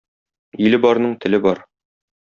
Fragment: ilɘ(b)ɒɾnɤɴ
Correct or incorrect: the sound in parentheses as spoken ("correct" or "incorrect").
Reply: correct